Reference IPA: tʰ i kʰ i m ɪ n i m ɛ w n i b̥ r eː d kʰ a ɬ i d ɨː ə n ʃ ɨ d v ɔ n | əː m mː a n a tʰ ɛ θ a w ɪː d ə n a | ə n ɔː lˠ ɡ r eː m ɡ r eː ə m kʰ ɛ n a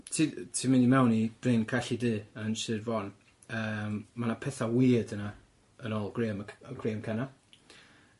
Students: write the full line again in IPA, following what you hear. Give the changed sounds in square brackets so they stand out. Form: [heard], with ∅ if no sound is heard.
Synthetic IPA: tʰ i [tʰ] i m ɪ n i m ɛ w n i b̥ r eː [n] kʰ a ɬ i d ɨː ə n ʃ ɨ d v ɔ n | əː m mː a n a [pʰ] ɛ θ a w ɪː d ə n a | ə n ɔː lˠ ɡ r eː m ɡ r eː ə m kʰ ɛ n a

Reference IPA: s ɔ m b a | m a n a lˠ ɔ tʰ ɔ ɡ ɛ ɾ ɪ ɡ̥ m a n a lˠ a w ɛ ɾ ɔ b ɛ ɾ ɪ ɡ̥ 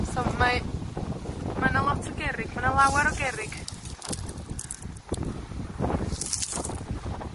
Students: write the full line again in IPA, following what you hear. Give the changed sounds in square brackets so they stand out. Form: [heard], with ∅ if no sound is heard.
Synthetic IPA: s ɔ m [m] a | m a n a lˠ ɔ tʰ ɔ ɡ ɛ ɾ ɪ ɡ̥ m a n a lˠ a w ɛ ɾ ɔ [ɡ] ɛ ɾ ɪ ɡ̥

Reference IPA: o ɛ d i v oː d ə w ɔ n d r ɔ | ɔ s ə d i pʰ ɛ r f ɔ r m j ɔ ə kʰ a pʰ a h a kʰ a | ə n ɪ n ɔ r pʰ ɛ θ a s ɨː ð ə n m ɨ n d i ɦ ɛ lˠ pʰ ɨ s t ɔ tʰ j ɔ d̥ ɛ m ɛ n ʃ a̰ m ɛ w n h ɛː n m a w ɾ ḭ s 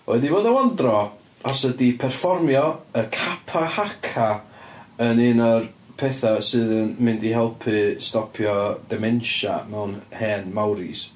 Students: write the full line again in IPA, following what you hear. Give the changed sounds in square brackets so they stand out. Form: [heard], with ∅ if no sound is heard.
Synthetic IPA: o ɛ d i v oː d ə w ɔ n d r ɔ | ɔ s ə d i pʰ ɛ r f ɔ r m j ɔ ə kʰ a pʰ a h a kʰ a | ə n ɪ n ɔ r pʰ ɛ θ a s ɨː ð ə n m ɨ n d i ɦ ɛ lˠ pʰ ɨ s t ɔ [pʰ] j ɔ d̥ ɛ m ɛ n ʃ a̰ m ɛ w n h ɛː n m a w ɾ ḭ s

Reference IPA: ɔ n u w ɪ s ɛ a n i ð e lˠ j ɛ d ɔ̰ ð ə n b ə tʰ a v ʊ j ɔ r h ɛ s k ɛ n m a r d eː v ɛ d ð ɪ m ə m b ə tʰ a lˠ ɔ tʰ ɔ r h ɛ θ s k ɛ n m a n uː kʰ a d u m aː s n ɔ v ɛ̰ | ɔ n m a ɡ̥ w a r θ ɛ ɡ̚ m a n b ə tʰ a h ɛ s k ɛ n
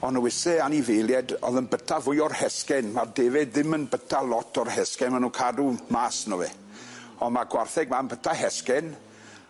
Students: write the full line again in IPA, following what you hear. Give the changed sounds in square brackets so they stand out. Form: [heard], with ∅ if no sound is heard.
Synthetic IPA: ɔ n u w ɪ s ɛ a n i [v] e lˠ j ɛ d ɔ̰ ð ə n b ə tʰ a v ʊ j ɔ r h ɛ s k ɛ n m a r d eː v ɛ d ð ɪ m ə [n] b ə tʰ a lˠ ɔ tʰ ɔ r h ɛ [∅] s k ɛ n m a n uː kʰ a d u m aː s n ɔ v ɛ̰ | ɔ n m a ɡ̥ w a r θ ɛ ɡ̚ m a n b ə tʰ a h ɛ s k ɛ n

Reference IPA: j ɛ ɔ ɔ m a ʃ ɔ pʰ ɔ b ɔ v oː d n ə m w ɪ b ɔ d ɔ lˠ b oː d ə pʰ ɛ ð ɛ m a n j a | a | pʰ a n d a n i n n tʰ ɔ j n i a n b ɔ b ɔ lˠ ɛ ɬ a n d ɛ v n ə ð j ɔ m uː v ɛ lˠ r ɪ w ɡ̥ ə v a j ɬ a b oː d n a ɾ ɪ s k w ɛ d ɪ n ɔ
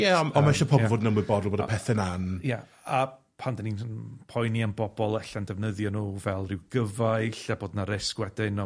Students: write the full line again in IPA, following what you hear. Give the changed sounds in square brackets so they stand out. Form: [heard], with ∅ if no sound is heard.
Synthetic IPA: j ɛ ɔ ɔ m a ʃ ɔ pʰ ɔ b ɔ v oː d n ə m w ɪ b ɔ d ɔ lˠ b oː d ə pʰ ɛ [θ] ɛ [n] a n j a | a | pʰ a n d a n i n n [pʰ] ɔ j n i a n b ɔ b ɔ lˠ ɛ ɬ a n d ɛ v n ə ð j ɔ [n] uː v ɛ lˠ r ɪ w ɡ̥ ə v a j ɬ a b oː d n a ɾ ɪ s k w ɛ d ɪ n ɔ

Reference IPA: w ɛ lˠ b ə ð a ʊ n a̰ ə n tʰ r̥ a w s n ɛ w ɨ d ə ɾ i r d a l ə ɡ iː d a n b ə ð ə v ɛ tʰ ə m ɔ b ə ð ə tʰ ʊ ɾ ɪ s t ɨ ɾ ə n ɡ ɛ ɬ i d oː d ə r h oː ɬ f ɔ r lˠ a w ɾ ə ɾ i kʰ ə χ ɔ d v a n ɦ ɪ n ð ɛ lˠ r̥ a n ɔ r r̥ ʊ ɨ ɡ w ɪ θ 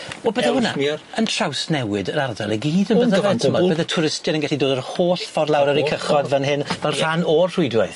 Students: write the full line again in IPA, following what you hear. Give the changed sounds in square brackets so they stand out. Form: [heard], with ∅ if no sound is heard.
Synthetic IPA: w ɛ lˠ b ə ð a ʊ n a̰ ə n tʰ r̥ a w s n ɛ w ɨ d ə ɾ [a] r d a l ə ɡ iː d [ə] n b ə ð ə v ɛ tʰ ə m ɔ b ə ð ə tʰ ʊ ɾ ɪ s t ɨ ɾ ə n ɡ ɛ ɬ i d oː d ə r h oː ɬ f ɔ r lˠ a w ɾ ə ɾ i kʰ ə χ ɔ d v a n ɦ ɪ n [v] ɛ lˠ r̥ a n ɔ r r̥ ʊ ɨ [d] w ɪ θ

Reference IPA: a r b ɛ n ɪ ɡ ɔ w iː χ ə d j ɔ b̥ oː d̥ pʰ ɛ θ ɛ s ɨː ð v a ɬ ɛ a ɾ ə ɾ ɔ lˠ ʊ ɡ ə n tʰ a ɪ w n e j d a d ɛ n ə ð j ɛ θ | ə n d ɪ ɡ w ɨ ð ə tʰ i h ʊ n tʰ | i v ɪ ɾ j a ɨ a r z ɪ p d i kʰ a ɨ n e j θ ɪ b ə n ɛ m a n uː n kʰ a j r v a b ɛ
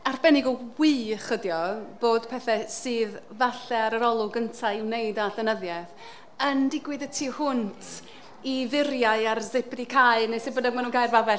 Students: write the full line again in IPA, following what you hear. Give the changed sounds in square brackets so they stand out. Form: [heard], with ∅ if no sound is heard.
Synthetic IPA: a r b ɛ n ɪ ɡ ɔ w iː χ ə d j ɔ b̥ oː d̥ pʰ ɛ θ ɛ s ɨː ð v a ɬ ɛ a ɾ ə ɾ ɔ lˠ ʊ ɡ ə n tʰ a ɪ w n e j d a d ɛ n ə ð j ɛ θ | ə n d ɪ ɡ w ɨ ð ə tʰ i h ʊ n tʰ | i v ɪ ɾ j a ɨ a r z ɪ p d i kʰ a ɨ n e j [s] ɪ b ə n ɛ m a n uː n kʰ a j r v a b ɛ

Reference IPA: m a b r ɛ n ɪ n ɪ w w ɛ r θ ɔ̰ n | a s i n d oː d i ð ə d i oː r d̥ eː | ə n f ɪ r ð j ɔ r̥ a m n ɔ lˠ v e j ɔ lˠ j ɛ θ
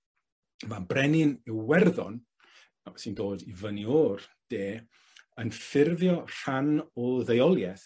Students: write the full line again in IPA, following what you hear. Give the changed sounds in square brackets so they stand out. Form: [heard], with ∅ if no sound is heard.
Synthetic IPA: m a b r ɛ n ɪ n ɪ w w ɛ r [ð] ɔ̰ n | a s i n d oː d i [v] ə [n] i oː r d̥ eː | ə n f ɪ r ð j ɔ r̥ a [∅] n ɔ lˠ [ð] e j ɔ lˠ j ɛ θ

